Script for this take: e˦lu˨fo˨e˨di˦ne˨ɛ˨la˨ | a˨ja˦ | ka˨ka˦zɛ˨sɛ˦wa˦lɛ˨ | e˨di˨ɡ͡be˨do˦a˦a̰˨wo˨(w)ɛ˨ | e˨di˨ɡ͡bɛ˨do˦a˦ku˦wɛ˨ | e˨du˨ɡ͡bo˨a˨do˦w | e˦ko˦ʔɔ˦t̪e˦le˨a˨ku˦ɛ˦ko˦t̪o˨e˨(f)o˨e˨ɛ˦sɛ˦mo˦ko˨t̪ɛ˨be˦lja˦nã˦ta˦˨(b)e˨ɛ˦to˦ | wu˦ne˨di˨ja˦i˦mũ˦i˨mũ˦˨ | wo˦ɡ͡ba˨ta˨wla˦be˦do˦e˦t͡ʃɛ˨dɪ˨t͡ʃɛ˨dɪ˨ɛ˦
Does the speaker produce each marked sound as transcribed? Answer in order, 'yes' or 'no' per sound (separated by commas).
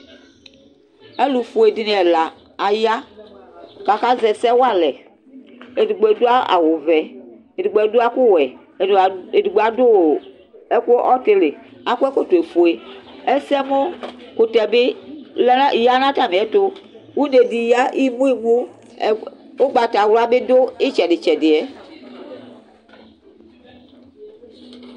no, yes, no